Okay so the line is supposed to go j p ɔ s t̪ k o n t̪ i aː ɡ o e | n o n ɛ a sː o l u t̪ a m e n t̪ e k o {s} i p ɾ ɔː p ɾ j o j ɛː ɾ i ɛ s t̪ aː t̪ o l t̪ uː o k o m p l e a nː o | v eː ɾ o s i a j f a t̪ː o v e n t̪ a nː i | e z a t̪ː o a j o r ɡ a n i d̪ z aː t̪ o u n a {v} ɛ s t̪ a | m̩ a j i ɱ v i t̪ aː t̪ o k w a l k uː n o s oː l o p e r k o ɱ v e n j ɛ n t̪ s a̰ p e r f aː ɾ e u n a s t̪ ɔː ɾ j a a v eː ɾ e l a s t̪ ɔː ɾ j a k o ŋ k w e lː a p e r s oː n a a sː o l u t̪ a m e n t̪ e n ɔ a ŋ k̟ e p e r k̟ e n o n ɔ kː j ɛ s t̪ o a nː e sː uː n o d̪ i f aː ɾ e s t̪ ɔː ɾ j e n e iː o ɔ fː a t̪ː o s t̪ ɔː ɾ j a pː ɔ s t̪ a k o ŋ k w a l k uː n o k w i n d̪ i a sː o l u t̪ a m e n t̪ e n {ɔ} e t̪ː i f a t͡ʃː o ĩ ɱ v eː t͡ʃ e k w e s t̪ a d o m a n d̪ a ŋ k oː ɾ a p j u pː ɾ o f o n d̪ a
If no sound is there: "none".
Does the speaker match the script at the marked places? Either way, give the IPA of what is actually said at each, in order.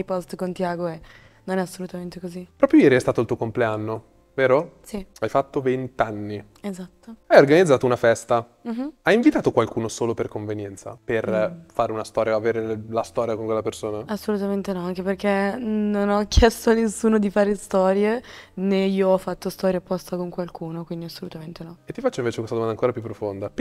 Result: z, f, ɔ

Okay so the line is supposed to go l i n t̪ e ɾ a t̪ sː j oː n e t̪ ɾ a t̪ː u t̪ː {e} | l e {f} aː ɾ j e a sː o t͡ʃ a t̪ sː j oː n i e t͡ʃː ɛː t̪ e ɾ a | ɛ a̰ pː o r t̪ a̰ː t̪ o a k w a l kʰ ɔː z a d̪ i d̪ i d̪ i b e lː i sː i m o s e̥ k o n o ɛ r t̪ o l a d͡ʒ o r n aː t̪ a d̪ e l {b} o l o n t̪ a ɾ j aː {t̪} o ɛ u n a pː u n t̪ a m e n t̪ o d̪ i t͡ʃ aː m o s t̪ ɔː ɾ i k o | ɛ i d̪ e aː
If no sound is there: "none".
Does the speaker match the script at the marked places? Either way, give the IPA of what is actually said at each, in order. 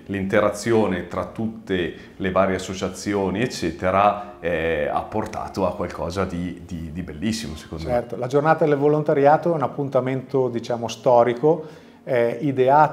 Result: e, v, v, t̪

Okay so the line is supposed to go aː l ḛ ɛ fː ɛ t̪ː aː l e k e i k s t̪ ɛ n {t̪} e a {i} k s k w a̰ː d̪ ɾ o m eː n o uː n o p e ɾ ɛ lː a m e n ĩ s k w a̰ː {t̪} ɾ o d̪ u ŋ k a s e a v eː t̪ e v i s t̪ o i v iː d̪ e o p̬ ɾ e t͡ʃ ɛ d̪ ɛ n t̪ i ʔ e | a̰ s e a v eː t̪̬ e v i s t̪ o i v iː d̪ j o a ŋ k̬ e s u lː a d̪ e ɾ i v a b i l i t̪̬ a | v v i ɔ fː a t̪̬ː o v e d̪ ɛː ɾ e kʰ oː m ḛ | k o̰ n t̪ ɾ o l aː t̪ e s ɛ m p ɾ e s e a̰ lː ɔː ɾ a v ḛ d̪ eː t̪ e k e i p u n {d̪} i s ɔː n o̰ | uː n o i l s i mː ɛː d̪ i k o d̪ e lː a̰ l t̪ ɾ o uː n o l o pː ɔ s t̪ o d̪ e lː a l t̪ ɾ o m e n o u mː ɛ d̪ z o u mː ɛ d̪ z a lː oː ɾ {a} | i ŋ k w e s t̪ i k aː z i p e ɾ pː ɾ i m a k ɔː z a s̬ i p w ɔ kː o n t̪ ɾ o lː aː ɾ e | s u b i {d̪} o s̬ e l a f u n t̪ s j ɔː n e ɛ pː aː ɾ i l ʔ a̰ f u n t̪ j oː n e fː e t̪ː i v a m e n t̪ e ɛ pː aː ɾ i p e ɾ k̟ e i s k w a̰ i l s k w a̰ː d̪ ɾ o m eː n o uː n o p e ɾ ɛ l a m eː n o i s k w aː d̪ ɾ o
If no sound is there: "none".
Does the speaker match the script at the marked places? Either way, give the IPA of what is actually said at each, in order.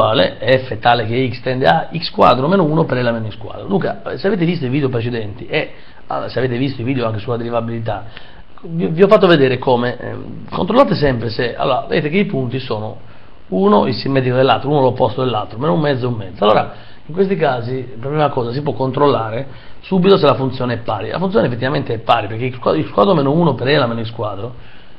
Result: d̪, i, d̪, t̪, a, t̪

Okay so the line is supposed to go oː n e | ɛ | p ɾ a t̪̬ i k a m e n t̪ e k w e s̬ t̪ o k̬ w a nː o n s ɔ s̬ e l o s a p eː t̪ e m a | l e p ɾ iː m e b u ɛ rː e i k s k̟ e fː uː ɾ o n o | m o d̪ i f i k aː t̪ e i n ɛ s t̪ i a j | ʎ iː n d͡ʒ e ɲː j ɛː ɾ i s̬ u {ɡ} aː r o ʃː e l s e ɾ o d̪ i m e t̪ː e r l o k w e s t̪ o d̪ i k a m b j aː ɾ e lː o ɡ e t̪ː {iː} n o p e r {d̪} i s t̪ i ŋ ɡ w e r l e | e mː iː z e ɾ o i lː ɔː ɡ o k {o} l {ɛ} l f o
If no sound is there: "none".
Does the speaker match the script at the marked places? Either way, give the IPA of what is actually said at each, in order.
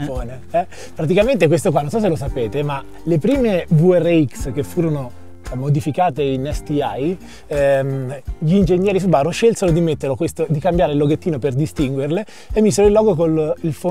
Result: b, iː, d̪, o, i

